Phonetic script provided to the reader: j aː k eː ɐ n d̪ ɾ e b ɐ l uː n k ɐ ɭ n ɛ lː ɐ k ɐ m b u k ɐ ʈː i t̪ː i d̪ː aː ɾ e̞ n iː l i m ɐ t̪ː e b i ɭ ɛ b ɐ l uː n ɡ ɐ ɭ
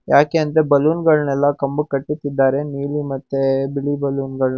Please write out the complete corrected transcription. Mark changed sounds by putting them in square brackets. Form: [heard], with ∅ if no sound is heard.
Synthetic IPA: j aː k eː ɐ n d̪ ɾ e b ɐ l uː n [ɡ] ɐ ɭ n ɛ lː ɐ k ɐ m b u k ɐ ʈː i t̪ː i d̪ː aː ɾ e̞ n iː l i m ɐ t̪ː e b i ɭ [i] b ɐ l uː n ɡ ɐ ɭ

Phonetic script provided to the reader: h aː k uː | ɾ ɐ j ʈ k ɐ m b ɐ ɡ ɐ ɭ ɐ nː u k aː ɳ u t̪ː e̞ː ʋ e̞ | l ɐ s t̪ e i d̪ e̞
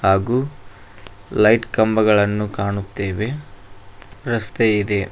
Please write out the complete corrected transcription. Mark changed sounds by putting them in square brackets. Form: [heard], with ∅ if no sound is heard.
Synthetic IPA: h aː [ɡ] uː | [l] ɐ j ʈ k ɐ m b ɐ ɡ ɐ ɭ ɐ nː u k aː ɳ u t̪ː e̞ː ʋ e̞ | [ɾ] ɐ s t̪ e i d̪ e̞

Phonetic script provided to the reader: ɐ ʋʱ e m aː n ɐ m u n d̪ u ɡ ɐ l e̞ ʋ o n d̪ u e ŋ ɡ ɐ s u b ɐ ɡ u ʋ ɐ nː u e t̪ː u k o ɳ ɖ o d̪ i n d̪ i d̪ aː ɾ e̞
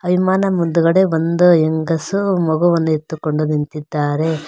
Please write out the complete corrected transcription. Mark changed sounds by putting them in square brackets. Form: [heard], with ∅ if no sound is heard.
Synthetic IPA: ɐ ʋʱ [i] m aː n ɐ m u n d̪ u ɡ ɐ [ɽ] e̞ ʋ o n d̪ u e ŋ ɡ ɐ s u [m] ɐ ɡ u ʋ ɐ nː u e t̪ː u k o ɳ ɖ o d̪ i n [t̪] i [d̪ː] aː ɾ e̞

